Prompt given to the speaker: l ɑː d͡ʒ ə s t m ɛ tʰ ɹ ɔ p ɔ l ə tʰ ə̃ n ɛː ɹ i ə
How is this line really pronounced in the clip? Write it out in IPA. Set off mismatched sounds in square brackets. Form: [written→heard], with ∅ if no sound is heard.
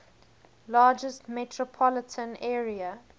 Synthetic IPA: l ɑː d͡ʒ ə s t m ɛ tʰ ɹ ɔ [p→pʰ] ɔ l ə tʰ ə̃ n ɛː ɹ i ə

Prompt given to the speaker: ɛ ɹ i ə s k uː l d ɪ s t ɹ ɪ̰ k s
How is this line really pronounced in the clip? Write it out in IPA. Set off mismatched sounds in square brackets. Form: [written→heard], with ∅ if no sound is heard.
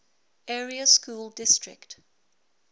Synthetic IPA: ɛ ɹ i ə s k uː l d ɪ s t ɹ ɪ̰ k [s→t]

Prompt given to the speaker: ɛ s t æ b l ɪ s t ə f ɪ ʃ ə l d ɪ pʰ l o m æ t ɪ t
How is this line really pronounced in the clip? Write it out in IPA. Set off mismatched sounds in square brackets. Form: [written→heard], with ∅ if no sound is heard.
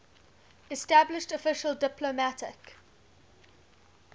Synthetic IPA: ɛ s t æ b l ɪ [s→ʃ] t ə f ɪ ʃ ə l d ɪ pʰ l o m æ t ɪ [t→k]

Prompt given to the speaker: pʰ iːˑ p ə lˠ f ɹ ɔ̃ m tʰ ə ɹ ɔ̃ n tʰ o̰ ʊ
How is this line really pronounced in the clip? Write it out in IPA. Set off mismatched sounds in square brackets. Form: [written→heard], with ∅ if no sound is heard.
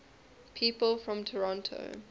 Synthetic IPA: pʰ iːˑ p ə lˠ f ɹ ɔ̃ m tʰ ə ɹ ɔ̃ n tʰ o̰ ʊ

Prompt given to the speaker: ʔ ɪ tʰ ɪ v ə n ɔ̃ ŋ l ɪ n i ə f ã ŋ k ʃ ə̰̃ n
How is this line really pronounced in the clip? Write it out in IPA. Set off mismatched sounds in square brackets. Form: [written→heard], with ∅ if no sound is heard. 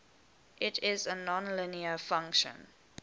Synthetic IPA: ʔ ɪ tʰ ɪ [v→z] ə n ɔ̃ [ŋ→n] l ɪ n i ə f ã ŋ k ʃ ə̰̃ n

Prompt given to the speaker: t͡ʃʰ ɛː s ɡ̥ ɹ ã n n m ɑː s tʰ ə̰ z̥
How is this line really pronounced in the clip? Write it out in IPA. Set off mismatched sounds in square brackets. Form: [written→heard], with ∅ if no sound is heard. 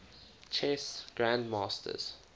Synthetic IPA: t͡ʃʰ [ɛː→ɛ] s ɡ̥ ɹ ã n [n→d] m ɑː s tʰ ə̰ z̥

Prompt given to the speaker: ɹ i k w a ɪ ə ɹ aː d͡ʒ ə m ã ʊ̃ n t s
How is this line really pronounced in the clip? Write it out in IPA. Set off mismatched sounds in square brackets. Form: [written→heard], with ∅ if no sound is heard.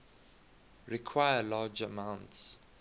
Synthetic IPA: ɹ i [k→kʰ] w a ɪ ə [ɹ→l] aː d͡ʒ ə m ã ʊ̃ n t s

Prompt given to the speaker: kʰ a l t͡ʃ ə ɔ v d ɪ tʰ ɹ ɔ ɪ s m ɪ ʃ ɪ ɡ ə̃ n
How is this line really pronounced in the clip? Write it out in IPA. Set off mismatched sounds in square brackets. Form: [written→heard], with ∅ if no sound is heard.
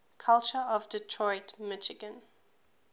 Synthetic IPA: kʰ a l t͡ʃ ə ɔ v d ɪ tʰ ɹ ɔ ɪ [s→t] m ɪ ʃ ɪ ɡ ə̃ n

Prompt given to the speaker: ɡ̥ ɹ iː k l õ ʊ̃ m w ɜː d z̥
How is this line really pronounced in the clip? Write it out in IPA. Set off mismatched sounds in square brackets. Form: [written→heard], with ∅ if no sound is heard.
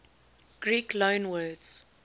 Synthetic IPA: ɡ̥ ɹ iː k l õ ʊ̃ [m→n] w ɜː d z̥

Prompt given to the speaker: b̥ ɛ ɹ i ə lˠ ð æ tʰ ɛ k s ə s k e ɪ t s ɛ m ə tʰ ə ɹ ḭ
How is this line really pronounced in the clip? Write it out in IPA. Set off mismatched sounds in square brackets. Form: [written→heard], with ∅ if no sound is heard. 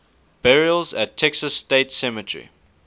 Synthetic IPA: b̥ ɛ ɹ i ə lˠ [ð→z] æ tʰ ɛ k s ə s [k→t] e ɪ t s ɛ m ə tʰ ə ɹ ḭ

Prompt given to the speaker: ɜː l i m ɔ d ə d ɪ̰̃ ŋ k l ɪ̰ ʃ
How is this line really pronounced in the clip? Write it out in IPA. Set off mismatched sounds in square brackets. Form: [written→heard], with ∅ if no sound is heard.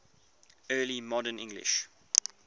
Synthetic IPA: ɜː l i m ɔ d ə [d→n] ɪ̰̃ ŋ [k→ɡ] l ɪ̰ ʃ

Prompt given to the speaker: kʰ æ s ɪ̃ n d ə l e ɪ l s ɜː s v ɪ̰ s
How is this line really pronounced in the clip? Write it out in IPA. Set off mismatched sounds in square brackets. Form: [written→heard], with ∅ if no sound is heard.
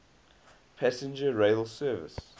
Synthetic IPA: [kʰ→pʰ] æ s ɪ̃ n [d→d͡ʒ] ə [l→ɹ] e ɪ l s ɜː [s→∅] v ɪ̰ s

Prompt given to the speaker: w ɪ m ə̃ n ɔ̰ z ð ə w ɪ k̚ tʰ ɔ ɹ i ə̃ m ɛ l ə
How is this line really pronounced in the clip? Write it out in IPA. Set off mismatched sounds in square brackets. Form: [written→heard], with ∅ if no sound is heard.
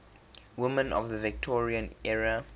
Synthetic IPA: w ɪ m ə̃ n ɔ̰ [z→v] ð ə [w→v] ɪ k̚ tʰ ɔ ɹ i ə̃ [m→n] ɛ [l→ɹ] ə

